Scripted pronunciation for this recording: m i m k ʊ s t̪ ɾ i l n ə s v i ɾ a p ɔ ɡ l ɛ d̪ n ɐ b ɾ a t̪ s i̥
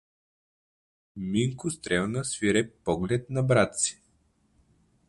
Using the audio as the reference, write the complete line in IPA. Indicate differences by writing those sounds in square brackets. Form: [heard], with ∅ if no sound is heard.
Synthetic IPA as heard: m i [ŋ] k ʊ s t̪ ɾ [ɛ] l n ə s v i ɾ [ɛ] p ɔ ɡ l ɛ [t̪] n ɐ b ɾ a t̪ s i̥